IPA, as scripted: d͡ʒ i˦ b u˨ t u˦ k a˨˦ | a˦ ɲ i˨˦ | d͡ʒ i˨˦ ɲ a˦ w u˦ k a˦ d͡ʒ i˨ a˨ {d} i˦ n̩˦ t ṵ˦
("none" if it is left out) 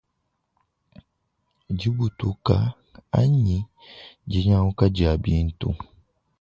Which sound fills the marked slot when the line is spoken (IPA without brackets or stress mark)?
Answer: b